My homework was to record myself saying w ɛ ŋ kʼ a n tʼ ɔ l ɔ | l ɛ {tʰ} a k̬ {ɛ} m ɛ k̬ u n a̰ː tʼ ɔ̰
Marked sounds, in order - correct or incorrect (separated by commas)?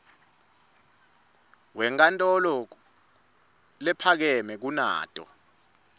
incorrect, correct